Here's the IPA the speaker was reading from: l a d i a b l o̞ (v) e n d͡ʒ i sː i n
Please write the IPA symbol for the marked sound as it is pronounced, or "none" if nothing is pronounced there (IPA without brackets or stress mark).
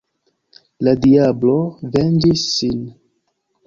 v